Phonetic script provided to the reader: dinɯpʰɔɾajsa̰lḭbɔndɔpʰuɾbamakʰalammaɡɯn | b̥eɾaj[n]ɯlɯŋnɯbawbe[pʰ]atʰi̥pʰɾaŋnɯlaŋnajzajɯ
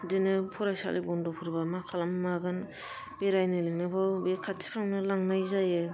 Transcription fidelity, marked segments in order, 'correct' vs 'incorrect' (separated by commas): correct, incorrect